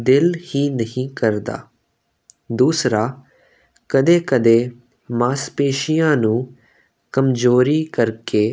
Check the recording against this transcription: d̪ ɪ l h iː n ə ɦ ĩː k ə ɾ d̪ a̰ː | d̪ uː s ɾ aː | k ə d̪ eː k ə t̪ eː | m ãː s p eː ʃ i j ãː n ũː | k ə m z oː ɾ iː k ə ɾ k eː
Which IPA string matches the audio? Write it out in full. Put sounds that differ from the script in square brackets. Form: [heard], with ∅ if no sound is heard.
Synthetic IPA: d̪ ɪ l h iː n ə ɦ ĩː k ə ɾ d̪ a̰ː | d̪ uː s ɾ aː | k ə d̪ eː k ə [d̪] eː | m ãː s p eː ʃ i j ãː n ũː | k ə m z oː ɾ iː k ə ɾ k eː